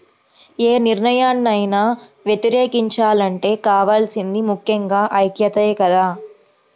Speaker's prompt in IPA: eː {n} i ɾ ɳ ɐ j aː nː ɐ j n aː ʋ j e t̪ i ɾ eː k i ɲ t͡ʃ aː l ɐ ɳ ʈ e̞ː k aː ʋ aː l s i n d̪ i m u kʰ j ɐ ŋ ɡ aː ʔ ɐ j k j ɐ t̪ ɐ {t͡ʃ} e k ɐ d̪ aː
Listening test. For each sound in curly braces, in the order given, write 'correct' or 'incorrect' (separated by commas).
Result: correct, incorrect